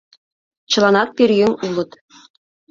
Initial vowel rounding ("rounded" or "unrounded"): unrounded